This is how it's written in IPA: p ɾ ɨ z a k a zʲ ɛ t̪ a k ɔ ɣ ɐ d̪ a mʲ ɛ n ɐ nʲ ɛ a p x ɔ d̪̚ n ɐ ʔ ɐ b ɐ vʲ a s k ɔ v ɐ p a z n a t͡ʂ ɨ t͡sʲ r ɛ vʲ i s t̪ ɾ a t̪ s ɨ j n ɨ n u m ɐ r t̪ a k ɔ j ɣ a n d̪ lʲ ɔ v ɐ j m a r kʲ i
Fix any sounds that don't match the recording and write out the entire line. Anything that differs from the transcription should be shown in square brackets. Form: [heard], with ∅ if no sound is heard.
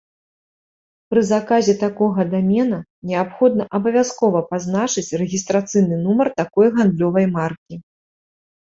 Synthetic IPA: p ɾ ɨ z a k a zʲ ɛ t̪ a k ɔ ɣ ɐ d̪ a mʲ ɛ n ɐ nʲ ɛ a p x ɔ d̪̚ n ɐ ʔ ɐ b ɐ vʲ a s k ɔ v ɐ p a z n a t͡ʂ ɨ t͡sʲ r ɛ [ɣʲ] i s t̪ ɾ a t̪ s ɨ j n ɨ n u m ɐ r t̪ a k ɔ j ɣ a n d̪ lʲ ɔ v ɐ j m a r kʲ i

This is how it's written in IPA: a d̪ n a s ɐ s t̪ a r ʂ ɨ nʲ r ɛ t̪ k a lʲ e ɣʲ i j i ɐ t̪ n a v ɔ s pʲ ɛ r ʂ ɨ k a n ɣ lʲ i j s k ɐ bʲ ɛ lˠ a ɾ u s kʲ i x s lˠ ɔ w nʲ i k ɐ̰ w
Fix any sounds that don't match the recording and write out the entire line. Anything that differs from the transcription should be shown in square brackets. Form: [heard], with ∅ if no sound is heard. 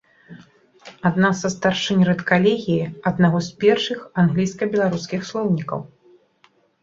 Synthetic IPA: a d̪ n a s ɐ s t̪ a r ʂ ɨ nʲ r ɛ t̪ k a lʲ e ɣʲ i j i ɐ [d̪] n a [ɣ] ɔ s pʲ ɛ r ʂ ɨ [x] a n ɣ lʲ i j s k ɐ bʲ ɛ lˠ a ɾ u s kʲ i x s lˠ ɔ w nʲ i k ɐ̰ w

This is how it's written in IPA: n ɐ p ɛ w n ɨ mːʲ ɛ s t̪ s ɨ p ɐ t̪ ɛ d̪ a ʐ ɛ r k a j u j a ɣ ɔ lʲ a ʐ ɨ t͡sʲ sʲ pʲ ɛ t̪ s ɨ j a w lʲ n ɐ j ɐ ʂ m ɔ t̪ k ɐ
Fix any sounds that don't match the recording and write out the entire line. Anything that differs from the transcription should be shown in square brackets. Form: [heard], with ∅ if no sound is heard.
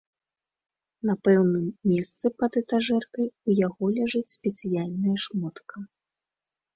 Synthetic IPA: n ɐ p ɛ w n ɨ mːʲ ɛ s t̪ s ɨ p ɐ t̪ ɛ [t̪] a ʐ ɛ r k [ɐ] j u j a ɣ ɔ lʲ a ʐ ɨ t͡sʲ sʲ pʲ ɛ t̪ s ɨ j a [∅] lʲ n ɐ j ɐ ʂ m ɔ t̪ k ɐ

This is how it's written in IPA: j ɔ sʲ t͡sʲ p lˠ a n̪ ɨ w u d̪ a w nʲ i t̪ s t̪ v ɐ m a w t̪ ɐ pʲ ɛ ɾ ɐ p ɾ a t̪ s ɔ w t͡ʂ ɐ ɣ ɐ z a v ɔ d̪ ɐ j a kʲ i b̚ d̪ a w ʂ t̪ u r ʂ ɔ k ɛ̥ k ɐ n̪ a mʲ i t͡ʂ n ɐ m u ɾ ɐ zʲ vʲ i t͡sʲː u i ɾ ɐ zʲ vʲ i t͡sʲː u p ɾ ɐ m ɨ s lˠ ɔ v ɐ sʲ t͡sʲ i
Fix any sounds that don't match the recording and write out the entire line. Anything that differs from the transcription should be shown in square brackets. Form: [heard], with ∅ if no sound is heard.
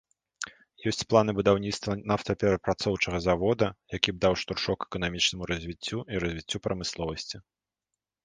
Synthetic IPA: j ɔ sʲ t͡sʲ p lˠ a n̪ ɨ [b] u d̪ a w nʲ i t̪ s t̪ v ɐ [n] a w t̪ ɐ pʲ ɛ ɾ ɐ p ɾ a t̪ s ɔ w t͡ʂ ɐ ɣ ɐ z a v ɔ d̪ ɐ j a kʲ i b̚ d̪ a w ʂ t̪ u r ʂ ɔ k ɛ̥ k ɐ n̪ a mʲ i t͡ʂ n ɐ m u ɾ ɐ zʲ vʲ i t͡sʲː u i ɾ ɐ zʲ vʲ i t͡sʲː u p ɾ ɐ m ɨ s lˠ ɔ v ɐ sʲ t͡sʲ i

